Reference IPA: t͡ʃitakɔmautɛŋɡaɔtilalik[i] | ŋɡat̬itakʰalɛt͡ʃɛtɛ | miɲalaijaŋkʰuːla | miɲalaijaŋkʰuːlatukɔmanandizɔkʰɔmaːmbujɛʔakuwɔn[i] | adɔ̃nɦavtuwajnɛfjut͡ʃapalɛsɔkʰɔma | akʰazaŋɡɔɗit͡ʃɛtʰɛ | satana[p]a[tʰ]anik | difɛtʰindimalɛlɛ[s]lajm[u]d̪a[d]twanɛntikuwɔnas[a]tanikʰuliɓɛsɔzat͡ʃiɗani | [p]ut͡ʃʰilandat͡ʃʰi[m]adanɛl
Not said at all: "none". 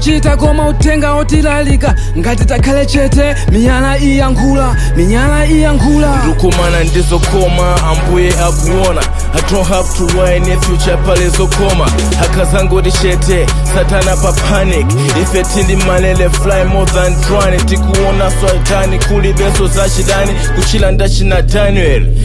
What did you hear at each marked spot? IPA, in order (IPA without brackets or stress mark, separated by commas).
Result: a, a, p, pʰ, f, ɔ, n, a, k, n